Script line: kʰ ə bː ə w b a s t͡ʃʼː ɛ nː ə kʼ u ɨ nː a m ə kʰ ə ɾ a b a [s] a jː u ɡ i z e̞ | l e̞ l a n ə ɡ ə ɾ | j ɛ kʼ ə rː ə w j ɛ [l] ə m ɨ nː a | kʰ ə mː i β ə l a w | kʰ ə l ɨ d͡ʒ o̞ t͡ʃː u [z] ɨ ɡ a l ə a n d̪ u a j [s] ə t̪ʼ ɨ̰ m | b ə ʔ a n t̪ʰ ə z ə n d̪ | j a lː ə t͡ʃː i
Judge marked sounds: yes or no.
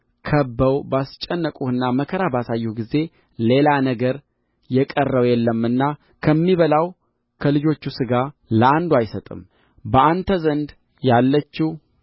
yes, no, no, yes

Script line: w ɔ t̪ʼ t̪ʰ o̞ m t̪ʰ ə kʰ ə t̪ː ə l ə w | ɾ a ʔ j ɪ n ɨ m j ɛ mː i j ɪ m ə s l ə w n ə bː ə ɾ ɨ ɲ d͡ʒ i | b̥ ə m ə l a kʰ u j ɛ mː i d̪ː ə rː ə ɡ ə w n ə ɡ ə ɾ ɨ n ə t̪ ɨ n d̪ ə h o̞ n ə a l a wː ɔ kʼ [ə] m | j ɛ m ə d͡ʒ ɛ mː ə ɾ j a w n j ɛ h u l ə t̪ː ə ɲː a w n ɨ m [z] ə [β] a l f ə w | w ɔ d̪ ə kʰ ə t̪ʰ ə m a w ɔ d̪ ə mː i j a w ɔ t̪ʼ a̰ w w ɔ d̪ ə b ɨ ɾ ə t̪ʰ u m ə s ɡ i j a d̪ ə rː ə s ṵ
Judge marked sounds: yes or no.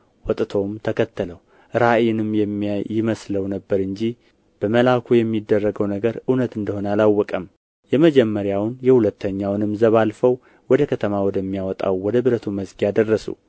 yes, yes, yes

